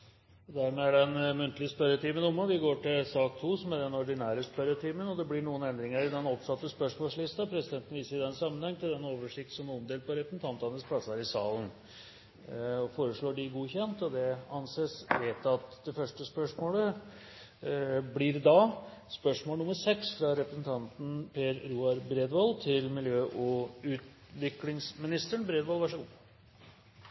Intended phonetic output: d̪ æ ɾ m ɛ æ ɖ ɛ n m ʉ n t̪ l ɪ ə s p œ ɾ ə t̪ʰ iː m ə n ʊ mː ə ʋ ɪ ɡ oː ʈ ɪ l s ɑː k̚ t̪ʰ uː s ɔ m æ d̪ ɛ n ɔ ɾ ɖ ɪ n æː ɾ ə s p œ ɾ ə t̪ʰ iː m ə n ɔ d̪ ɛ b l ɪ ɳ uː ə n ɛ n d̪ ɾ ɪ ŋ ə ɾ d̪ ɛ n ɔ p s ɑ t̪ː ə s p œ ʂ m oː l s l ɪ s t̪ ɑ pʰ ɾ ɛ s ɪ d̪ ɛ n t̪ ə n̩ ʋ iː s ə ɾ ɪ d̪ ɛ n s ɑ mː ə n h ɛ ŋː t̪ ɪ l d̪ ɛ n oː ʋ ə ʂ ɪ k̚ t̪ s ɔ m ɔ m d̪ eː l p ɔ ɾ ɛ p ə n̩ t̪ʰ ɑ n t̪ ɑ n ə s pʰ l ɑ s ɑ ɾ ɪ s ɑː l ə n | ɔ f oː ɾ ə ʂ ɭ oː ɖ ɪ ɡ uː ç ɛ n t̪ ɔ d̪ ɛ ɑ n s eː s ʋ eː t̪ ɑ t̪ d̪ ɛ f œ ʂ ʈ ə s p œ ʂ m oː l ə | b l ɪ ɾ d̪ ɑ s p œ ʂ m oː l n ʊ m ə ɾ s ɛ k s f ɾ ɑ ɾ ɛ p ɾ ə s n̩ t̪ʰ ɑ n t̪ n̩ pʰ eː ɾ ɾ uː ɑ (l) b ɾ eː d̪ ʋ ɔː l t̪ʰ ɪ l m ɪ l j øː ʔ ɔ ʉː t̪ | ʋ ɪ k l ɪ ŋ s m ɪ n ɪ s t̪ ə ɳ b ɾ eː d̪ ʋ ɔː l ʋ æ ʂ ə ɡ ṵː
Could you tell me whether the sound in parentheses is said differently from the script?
yes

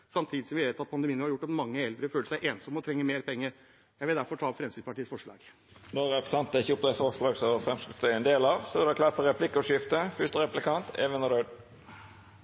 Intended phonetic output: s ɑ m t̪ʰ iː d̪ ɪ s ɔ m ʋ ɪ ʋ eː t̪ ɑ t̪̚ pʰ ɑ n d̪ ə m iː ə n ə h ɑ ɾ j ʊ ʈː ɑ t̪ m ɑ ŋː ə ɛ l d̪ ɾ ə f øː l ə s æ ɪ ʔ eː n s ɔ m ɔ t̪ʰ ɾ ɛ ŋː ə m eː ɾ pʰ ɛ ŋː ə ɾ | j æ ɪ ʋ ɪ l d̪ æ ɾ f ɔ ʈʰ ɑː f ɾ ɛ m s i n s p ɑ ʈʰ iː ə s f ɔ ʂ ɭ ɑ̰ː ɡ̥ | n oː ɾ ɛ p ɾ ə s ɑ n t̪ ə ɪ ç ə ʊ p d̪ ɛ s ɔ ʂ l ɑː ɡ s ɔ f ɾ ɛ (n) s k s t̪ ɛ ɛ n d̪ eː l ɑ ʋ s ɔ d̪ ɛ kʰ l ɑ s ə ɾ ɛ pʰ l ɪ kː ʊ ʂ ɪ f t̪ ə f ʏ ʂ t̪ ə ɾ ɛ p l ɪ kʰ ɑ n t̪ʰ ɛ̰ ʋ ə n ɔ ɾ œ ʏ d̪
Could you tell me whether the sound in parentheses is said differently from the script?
yes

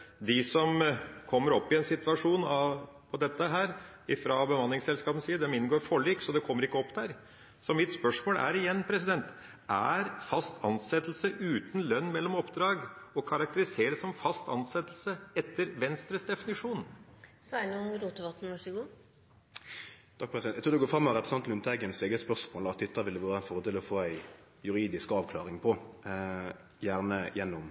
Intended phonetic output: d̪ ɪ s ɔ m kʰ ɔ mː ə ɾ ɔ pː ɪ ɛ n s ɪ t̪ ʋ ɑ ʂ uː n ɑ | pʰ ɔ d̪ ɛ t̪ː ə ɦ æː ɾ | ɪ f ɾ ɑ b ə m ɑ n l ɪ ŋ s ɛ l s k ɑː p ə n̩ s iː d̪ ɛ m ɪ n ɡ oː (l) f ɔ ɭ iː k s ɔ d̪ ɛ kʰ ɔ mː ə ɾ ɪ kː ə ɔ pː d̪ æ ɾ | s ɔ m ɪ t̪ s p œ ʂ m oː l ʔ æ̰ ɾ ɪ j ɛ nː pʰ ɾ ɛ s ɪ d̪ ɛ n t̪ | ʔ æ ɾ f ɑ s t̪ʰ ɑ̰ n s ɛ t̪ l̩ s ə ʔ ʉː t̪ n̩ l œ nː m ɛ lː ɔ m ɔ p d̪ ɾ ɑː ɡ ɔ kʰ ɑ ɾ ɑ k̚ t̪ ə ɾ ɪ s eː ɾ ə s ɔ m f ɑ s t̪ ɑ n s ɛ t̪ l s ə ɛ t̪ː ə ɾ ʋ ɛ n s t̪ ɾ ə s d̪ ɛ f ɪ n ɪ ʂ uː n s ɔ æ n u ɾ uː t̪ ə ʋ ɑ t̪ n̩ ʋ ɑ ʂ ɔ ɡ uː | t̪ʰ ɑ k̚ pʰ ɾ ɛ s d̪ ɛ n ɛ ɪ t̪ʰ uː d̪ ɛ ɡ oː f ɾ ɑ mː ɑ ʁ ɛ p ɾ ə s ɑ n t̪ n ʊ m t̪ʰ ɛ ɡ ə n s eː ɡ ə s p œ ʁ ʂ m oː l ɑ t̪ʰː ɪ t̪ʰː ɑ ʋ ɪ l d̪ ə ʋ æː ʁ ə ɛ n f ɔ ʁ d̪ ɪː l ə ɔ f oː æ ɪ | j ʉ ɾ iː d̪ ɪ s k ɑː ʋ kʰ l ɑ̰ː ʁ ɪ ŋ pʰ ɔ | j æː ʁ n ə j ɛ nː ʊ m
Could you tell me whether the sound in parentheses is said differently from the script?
yes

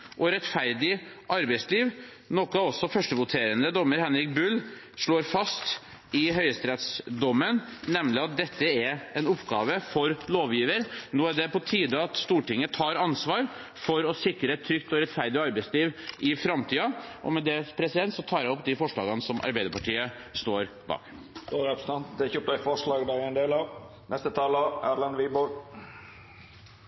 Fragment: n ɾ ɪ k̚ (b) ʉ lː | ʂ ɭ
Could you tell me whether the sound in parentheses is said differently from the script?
no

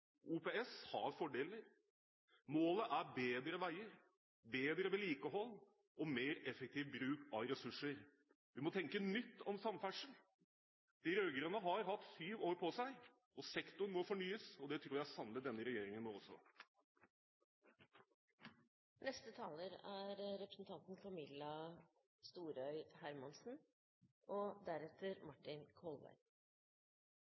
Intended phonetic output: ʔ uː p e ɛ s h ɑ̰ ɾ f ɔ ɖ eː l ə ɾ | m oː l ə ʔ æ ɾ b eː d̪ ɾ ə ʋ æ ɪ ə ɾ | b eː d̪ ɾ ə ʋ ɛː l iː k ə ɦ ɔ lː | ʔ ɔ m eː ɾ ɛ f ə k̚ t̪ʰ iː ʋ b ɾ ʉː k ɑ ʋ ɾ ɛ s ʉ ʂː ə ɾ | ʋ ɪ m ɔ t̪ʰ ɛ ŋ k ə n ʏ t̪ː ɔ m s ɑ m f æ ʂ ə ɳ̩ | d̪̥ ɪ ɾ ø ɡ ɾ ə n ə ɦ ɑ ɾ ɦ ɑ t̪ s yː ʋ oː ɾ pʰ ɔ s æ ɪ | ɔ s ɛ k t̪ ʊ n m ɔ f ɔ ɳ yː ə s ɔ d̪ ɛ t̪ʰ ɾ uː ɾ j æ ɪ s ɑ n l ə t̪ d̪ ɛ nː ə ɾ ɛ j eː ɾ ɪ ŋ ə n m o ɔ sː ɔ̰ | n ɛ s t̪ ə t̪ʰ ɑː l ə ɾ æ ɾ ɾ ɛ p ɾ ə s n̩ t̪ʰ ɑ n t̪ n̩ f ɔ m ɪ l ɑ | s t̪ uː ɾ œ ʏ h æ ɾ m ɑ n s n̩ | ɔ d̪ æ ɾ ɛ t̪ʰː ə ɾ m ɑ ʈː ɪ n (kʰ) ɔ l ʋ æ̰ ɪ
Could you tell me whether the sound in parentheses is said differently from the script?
no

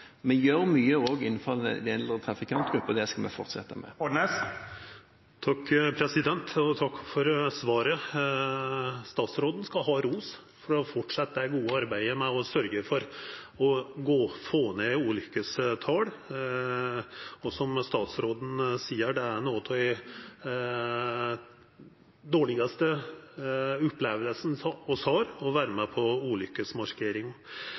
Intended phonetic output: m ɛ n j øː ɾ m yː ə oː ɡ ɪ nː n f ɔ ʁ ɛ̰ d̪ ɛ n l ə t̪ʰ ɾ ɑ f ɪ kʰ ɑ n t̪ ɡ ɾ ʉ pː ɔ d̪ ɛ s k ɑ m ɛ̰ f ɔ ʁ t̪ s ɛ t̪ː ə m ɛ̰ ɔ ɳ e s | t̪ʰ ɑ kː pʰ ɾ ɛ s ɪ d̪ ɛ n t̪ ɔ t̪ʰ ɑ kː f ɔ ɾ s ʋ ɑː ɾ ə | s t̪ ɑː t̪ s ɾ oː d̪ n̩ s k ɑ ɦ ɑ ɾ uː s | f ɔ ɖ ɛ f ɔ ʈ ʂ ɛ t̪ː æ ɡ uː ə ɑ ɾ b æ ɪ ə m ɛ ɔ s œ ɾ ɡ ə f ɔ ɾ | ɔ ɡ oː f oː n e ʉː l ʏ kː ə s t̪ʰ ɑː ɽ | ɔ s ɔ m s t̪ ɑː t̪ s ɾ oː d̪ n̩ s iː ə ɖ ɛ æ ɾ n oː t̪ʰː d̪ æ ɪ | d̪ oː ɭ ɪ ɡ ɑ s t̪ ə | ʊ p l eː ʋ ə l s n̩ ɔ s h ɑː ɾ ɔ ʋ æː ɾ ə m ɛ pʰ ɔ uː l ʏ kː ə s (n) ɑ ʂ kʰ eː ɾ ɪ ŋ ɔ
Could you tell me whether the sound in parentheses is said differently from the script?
yes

